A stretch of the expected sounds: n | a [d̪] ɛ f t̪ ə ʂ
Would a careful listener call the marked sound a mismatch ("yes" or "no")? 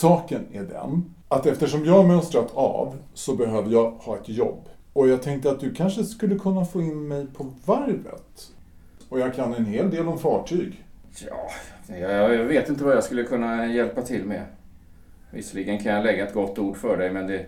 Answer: yes